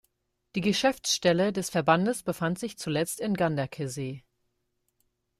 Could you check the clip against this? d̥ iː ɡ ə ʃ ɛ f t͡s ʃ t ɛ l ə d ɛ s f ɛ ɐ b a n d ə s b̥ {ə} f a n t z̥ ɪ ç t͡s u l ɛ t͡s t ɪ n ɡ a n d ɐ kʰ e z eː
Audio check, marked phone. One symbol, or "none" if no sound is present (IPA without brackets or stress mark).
ə